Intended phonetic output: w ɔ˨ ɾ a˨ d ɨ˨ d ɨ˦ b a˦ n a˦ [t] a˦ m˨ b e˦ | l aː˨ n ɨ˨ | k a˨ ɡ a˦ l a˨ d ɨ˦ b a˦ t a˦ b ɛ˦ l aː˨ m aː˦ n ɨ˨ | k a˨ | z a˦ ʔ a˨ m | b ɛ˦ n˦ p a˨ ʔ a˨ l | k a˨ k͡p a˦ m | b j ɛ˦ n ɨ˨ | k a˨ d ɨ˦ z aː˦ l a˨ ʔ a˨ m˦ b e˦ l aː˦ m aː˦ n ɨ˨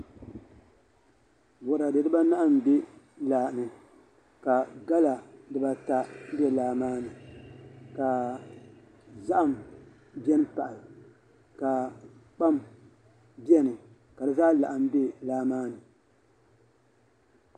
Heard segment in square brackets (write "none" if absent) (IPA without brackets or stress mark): ʔ